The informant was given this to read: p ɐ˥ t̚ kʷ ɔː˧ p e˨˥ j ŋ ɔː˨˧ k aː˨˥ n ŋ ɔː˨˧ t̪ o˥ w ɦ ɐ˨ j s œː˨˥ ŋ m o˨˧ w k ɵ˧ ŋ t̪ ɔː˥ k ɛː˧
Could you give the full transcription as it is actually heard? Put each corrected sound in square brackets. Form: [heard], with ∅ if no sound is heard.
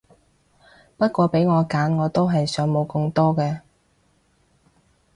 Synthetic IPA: p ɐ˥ t̚ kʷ ɔː˧ p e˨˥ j ŋ ɔː˨˧ k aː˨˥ n ŋ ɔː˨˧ t̪ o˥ w ɦ ɐ˨ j s œː˨˥ ŋ m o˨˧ w k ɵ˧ ŋ t̪ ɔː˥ k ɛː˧